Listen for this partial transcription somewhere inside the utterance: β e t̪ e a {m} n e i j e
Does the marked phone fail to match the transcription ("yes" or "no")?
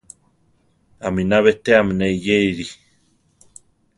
no